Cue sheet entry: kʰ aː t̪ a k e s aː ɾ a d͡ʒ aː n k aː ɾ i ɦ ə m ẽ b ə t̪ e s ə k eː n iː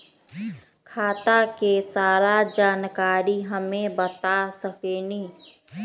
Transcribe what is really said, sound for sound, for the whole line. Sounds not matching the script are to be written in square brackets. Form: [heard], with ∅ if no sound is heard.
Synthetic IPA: kʰ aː t̪ a k e s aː ɾ a d͡ʒ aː n k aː ɾ i ɦ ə m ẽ b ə t̪ [a] s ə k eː n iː